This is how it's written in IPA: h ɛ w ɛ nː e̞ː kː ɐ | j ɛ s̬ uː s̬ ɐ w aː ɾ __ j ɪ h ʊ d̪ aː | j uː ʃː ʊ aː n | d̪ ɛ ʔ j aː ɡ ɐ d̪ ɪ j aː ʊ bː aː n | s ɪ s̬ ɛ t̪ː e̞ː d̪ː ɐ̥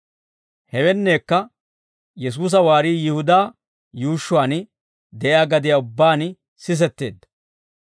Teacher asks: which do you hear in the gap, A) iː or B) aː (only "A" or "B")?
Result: A